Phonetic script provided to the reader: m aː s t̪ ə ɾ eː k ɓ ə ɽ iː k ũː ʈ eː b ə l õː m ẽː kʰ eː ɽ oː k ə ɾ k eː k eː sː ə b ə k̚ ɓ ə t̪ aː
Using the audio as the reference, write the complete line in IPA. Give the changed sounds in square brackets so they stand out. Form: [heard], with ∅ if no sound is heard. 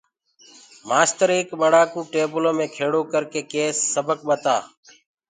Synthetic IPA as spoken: m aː s t̪ ə ɾ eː k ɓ ə ɽ [aː] k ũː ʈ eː b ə l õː m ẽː kʰ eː ɽ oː k ə ɾ k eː k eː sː ə b ə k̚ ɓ ə t̪ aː